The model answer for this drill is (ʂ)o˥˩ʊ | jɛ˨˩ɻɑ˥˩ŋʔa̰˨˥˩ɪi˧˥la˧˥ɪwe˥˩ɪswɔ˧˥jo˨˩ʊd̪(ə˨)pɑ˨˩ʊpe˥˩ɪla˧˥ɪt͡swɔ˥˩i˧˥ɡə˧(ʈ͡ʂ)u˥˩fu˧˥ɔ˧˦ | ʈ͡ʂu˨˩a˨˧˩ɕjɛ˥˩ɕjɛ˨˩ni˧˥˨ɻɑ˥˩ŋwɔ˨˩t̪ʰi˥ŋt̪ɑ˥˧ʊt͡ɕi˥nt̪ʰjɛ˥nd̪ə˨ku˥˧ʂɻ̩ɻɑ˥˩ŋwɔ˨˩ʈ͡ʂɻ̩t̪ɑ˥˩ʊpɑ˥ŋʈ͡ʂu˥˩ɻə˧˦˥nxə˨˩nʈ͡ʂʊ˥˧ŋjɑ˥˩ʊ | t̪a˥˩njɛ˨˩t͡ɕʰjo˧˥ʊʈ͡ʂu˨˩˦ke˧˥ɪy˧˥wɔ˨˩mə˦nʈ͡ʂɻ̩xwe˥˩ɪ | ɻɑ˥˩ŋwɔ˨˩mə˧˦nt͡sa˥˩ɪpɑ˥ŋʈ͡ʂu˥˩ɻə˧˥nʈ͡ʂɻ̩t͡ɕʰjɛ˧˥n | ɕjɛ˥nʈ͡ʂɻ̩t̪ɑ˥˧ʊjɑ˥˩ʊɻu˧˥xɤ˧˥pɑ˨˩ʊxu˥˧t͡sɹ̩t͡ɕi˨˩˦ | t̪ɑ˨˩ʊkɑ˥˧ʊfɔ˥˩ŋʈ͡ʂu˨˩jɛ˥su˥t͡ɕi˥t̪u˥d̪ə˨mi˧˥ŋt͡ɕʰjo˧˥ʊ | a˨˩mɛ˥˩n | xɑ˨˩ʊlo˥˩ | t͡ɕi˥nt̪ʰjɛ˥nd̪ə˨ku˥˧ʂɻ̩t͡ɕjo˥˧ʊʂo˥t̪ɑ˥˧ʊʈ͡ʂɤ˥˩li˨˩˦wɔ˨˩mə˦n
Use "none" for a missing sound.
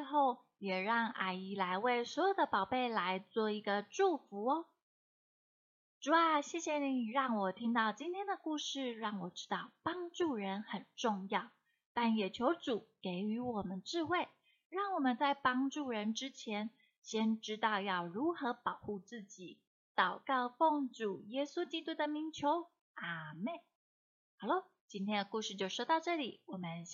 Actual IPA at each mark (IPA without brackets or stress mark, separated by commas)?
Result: x, ə˦, ʈ͡ʂ